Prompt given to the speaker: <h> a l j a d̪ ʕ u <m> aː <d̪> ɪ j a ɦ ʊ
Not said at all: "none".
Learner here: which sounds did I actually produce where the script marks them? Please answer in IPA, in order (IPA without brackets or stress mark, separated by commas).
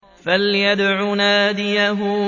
f, n, d̪